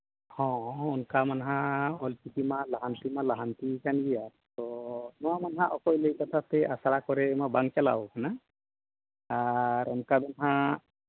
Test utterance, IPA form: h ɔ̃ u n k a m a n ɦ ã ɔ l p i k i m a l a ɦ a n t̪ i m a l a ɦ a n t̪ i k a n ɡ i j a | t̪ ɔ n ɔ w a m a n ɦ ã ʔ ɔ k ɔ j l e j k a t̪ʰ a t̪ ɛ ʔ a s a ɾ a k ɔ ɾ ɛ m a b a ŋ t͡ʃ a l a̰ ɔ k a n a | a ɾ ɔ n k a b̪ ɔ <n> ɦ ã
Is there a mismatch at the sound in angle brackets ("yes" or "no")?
no